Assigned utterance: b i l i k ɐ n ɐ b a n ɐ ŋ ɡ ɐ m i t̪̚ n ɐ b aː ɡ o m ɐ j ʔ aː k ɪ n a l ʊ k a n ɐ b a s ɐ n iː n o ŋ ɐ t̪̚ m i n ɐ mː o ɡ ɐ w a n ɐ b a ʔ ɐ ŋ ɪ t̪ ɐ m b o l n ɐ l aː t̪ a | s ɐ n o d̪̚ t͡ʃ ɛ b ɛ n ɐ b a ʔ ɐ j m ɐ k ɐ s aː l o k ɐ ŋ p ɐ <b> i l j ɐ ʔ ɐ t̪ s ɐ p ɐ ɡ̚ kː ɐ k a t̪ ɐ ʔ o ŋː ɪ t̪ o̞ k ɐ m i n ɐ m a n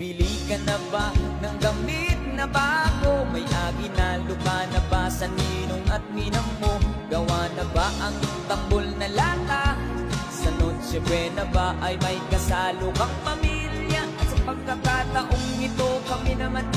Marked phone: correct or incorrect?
incorrect: m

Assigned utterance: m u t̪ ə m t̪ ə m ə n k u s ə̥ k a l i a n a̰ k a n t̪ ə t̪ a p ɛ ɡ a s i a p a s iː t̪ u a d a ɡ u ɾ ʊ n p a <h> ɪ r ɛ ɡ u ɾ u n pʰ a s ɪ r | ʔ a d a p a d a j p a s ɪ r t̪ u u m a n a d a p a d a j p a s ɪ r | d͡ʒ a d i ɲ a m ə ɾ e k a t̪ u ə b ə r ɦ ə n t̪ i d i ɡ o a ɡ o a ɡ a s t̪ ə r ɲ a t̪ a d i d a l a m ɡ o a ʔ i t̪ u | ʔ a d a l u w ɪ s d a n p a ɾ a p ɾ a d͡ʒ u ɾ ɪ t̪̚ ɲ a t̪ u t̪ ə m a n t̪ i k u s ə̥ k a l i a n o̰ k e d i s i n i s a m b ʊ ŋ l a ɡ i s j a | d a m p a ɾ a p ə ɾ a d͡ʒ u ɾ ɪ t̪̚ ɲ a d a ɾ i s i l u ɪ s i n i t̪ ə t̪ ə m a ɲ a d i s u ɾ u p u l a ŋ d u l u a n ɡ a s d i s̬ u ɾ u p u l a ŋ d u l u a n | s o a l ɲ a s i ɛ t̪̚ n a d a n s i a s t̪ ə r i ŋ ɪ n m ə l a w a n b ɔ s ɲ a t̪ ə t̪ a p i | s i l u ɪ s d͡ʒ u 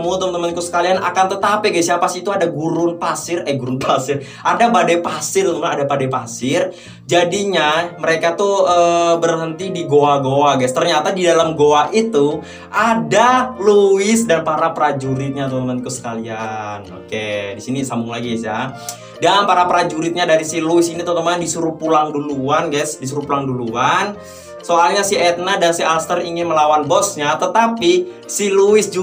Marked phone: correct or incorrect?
incorrect: s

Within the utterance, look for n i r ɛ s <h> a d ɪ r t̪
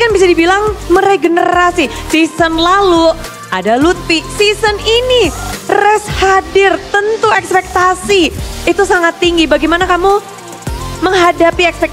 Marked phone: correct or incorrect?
correct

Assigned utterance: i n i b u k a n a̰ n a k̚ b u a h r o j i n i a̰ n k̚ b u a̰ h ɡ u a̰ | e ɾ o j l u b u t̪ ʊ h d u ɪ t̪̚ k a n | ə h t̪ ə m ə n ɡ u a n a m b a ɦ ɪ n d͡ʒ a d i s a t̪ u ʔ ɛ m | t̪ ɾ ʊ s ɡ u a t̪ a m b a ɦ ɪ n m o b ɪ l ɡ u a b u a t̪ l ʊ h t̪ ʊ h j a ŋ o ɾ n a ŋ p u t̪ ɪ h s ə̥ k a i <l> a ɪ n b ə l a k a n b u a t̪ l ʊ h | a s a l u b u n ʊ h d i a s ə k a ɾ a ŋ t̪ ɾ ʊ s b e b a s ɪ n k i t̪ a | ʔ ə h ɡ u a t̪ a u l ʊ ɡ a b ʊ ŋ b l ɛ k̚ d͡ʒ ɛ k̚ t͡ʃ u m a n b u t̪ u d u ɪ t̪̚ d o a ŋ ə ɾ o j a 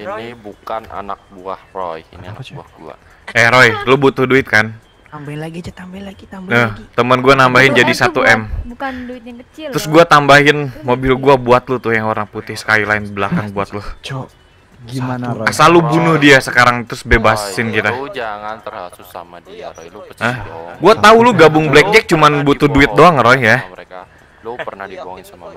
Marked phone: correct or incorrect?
correct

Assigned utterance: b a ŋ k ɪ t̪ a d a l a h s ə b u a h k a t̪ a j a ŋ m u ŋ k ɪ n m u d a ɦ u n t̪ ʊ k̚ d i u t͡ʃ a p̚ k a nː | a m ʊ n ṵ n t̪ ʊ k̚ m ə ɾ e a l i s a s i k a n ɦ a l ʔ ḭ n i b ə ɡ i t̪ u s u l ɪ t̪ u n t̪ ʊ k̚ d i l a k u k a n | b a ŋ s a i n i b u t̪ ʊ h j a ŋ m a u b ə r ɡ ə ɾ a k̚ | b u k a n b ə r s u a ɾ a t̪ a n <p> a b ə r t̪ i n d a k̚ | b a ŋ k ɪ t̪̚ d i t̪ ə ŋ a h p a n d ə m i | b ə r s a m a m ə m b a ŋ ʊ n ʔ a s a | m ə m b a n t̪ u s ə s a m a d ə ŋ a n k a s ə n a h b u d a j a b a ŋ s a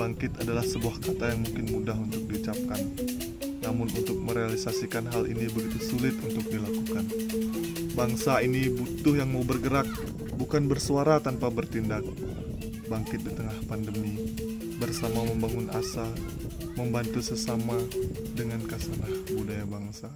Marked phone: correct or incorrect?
correct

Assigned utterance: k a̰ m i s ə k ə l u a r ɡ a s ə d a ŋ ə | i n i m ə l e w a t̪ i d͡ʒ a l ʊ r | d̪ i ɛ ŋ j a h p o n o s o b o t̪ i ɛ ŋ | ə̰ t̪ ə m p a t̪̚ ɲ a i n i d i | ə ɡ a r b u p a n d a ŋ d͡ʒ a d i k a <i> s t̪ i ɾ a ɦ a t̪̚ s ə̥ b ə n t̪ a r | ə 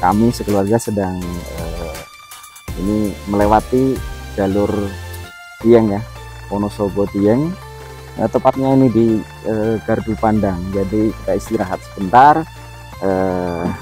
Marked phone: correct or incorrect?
correct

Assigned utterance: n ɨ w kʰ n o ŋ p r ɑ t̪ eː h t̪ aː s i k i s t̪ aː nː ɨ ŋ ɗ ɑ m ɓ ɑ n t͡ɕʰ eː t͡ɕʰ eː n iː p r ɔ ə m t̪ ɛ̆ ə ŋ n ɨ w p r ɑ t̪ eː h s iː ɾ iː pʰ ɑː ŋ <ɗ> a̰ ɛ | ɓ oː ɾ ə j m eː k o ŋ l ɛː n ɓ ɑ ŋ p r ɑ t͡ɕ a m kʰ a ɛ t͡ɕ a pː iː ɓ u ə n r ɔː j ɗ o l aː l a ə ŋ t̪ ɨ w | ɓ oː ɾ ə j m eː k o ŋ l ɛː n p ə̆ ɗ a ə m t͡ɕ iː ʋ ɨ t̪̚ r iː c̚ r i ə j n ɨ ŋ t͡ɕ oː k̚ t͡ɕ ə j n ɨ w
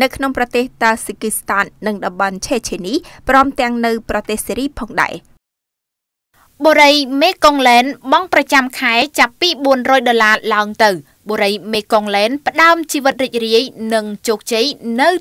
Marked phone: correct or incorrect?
correct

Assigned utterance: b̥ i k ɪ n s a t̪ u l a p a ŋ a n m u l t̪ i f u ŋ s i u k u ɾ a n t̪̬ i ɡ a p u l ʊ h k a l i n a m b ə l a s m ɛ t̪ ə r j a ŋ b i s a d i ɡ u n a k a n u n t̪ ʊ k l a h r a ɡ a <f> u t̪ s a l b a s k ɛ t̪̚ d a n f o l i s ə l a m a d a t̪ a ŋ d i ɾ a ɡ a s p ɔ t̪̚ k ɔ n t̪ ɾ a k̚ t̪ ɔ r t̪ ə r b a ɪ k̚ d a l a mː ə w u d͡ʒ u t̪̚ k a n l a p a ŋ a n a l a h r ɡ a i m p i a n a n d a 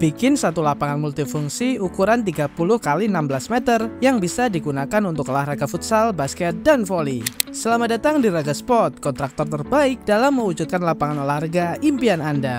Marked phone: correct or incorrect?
correct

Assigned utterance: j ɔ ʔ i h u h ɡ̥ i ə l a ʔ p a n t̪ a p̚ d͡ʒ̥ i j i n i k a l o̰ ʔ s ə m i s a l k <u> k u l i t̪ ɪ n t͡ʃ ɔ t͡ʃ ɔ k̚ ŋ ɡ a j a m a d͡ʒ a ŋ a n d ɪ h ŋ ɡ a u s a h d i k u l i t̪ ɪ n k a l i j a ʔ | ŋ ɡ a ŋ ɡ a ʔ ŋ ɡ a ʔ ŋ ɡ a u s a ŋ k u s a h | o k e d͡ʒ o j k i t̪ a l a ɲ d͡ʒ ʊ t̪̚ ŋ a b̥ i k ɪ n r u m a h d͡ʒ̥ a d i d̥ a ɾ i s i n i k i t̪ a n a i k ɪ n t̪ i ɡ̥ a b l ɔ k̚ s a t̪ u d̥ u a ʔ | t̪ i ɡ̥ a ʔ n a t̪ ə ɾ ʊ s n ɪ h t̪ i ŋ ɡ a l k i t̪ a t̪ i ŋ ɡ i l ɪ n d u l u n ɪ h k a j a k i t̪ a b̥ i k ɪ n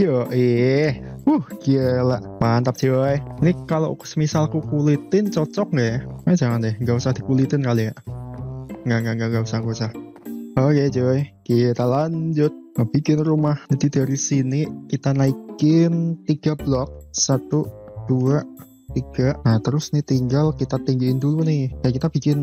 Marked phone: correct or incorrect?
correct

